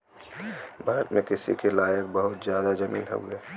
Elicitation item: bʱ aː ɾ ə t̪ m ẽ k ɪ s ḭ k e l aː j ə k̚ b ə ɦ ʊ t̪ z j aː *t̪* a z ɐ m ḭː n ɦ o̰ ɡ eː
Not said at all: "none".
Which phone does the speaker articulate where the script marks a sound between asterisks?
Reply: d̪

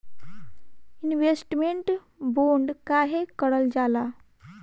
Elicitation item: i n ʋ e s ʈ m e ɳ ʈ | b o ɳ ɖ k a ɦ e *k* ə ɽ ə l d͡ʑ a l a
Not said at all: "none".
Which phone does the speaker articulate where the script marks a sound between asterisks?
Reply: k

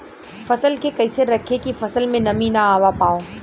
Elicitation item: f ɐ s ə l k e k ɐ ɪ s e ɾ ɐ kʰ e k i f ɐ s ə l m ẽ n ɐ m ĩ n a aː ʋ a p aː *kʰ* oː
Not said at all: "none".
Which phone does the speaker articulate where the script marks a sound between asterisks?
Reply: none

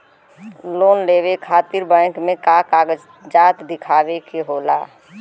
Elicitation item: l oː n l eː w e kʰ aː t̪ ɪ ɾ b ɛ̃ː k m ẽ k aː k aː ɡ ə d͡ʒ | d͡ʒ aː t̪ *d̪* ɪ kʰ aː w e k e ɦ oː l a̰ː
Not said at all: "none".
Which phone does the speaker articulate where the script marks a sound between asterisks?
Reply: d̪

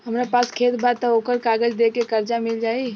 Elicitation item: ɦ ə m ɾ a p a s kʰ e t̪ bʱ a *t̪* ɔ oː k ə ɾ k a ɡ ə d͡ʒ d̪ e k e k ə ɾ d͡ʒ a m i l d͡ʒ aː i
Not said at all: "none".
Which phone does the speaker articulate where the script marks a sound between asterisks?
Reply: t̪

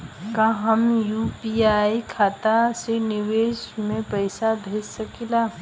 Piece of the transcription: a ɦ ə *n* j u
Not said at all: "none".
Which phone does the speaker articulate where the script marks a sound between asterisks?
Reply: m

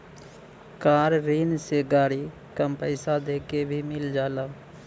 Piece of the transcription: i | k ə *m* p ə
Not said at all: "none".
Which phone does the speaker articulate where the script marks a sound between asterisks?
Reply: m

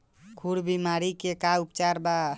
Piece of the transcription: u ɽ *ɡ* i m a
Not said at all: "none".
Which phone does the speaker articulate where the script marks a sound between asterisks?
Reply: b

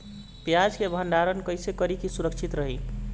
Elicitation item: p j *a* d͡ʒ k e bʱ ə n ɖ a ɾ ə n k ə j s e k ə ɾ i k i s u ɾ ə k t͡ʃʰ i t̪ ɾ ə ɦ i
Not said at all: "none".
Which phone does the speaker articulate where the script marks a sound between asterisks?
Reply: a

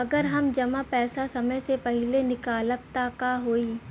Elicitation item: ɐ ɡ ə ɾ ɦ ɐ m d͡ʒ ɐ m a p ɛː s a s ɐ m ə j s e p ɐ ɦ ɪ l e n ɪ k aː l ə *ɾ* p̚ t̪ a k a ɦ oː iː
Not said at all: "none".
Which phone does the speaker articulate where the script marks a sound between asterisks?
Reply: none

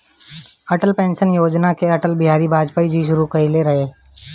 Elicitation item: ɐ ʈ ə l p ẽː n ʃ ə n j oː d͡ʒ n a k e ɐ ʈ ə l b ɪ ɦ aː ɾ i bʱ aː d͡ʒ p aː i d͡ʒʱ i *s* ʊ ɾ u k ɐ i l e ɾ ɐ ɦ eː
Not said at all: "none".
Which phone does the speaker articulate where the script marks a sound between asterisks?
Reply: ʃ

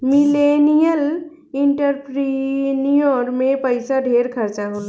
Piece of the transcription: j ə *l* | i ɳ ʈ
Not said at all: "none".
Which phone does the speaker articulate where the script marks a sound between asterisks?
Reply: l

